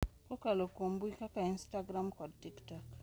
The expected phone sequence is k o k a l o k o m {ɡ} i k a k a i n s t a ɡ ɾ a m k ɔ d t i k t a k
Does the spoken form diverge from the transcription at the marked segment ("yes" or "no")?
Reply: yes